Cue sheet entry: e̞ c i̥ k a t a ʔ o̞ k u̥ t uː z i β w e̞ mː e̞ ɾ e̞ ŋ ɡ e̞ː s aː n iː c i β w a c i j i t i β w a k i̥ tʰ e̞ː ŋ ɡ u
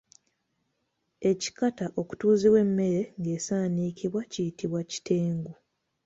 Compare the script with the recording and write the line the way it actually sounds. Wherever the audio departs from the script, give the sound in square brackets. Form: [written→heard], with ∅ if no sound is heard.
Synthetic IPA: e̞ c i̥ k a t a ʔ o̞ k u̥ t uː z i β w e̞ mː e̞ ɾ e̞ ŋ ɡ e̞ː s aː n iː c i β w a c i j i t i β w a [k→c] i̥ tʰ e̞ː ŋ ɡ u